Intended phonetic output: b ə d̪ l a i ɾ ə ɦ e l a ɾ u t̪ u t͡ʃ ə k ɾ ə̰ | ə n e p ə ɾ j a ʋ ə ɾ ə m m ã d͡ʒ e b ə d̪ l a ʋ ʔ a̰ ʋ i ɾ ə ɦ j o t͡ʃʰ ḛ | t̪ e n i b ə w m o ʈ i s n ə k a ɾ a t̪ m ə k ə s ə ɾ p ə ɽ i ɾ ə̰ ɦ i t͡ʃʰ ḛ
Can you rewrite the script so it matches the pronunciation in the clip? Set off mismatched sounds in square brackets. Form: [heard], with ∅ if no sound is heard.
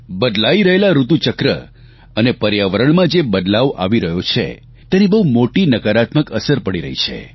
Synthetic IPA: b ə d̪ l a i ɾ ə ɦ e l a ɾ u t̪ u t͡ʃ ə k ɾ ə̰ | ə n e p ə ɾ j a ʋ ə ɾ ə [ɳ] m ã d͡ʒ e b ə d̪ l a ʋ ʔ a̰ ʋ i ɾ ə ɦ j o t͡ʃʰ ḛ | t̪ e n i b ə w m o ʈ i [∅] n ə k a ɾ a t̪ m ə k ə s ə ɾ p ə ɽ i ɾ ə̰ ɦ i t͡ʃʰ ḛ